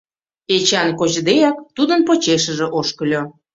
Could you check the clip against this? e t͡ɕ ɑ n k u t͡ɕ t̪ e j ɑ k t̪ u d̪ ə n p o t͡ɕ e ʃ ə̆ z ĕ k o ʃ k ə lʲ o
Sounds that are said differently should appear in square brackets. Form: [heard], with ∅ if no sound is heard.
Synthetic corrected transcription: e t͡ɕ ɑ n k [o] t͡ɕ [d̪] e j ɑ k t̪ u d̪ ə n p o t͡ɕ e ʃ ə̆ [ʒ] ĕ [ʔ] o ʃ k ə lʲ o